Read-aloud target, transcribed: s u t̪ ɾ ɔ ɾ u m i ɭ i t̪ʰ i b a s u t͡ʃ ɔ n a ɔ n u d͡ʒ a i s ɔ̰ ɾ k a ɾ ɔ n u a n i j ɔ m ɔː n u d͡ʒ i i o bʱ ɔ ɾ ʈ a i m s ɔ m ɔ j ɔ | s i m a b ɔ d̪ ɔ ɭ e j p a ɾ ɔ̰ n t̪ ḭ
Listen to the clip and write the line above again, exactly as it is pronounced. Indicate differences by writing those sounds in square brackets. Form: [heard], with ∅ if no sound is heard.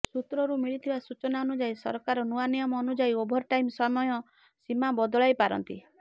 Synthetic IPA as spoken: s u t̪ ɾ ɔ ɾ u m i ɭ i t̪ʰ i b a s u t͡ʃ ɔ n a ɔ n u d͡ʒ a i s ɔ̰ ɾ k a ɾ ɔ n u a n i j ɔ m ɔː n u d͡ʒ [a] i o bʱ ɔ ɾ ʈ a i m s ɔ m ɔ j ɔ | s i m a b ɔ d̪ ɔ ɭ [a] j p a ɾ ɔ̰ n t̪ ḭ